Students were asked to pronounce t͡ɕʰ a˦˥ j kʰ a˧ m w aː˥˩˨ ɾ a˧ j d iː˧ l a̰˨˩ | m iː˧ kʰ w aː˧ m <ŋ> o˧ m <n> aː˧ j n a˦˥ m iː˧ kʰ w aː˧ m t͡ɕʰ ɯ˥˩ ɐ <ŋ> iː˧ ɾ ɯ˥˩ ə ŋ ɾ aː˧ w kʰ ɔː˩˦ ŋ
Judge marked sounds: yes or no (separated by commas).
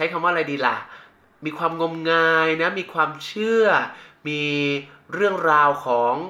yes, no, no